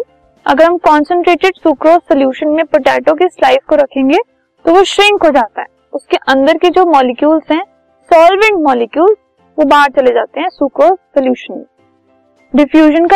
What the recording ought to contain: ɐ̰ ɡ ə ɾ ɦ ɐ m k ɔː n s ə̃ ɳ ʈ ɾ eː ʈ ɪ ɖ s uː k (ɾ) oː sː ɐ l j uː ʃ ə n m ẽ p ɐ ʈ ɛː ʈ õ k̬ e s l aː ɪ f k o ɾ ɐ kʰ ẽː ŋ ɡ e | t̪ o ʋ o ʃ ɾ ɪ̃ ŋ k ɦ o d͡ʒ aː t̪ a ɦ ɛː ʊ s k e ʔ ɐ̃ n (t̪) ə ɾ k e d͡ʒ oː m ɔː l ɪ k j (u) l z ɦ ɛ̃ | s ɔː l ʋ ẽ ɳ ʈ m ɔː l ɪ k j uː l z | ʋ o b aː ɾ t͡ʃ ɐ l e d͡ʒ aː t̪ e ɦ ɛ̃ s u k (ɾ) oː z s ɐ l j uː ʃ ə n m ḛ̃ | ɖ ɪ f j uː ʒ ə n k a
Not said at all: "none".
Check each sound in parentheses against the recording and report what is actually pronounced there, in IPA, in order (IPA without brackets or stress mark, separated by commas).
ɾ, d̪, uː, ɾ